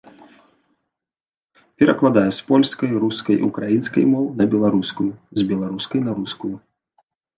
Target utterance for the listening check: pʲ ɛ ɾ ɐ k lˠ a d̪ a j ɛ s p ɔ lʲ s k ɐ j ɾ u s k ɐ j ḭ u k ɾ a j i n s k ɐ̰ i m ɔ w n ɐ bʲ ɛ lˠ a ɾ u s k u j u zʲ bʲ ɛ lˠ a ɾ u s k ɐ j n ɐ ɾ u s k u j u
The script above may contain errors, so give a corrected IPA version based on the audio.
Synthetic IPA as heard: pʲ ɛ ɾ ɐ k lˠ a d̪ a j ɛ s p ɔ lʲ s k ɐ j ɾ u s k ɐ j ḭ u k ɾ a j i n s k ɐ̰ j m ɔ w n ɐ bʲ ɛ lˠ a ɾ u s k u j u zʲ bʲ ɛ lˠ a ɾ u s k ɐ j n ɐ ɾ u s k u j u